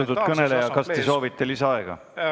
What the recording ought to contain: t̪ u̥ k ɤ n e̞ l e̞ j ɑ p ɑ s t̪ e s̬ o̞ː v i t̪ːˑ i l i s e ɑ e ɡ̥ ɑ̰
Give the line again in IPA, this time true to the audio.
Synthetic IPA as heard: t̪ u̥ k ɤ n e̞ l e̞ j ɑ k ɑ s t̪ e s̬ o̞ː v i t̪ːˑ e l i s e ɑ e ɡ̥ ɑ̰